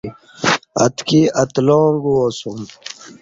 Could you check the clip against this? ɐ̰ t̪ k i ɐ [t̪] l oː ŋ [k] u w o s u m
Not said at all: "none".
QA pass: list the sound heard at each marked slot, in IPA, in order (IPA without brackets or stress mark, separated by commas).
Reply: t̪, ɡ